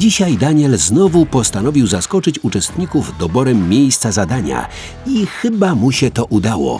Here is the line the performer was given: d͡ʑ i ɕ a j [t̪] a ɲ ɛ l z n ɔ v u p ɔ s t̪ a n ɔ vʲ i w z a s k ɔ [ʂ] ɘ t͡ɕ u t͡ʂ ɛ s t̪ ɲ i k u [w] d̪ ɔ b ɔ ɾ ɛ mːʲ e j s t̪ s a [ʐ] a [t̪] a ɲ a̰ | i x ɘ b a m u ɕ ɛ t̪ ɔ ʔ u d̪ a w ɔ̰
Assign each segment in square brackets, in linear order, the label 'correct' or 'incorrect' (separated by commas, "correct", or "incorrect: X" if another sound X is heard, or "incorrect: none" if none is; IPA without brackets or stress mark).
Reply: incorrect: d̪, incorrect: t͡ʂ, incorrect: v, incorrect: z, incorrect: d̪